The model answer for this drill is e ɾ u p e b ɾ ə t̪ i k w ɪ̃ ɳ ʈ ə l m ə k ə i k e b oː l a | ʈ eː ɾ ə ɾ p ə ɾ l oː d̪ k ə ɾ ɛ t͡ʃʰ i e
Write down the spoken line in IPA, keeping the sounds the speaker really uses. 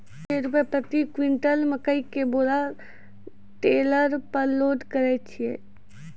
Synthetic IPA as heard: e ɾ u p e p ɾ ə t̪ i k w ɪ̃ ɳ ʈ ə l m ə k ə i k e b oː l a | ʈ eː l ə ɾ p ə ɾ l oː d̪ k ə ɾ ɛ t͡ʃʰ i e